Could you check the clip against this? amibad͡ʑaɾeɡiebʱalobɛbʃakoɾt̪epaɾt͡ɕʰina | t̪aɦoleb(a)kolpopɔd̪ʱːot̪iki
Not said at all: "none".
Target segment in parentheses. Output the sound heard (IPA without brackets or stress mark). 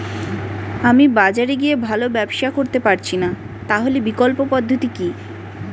i